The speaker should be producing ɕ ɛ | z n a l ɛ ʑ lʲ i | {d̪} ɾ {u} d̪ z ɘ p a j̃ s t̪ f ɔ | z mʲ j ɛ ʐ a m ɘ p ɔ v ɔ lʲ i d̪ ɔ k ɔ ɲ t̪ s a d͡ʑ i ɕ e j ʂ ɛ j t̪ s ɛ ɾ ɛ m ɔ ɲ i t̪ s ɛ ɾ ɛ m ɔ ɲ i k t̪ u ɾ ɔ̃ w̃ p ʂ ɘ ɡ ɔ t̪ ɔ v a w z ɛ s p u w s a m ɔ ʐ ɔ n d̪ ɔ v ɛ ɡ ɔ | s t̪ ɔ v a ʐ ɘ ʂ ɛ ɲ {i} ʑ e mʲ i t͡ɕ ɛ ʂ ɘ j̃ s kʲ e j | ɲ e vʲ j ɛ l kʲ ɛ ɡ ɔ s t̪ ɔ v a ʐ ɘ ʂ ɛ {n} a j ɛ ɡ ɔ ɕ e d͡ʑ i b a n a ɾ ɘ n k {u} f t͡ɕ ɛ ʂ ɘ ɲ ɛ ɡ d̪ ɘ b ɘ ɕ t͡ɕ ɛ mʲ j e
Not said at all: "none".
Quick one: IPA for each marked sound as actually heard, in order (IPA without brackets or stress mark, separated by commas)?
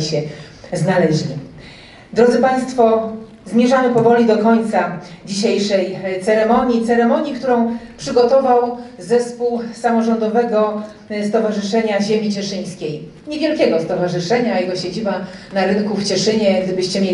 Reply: d̪, ɔ, a, ɲ, u